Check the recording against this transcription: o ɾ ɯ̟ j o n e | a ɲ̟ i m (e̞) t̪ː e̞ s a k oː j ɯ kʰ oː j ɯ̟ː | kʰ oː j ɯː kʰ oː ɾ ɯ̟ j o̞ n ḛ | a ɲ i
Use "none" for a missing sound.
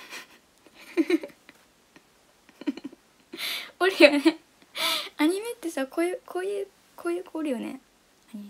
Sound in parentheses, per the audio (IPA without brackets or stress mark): e̞